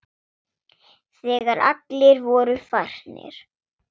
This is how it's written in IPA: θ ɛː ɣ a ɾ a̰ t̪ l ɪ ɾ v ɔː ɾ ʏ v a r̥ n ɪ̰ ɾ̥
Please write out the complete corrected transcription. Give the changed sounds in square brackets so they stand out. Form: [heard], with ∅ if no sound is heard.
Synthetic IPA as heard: θ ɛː ɣ a ɾ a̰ t̪ l ɪ ɾ v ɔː ɾ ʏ [f] a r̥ n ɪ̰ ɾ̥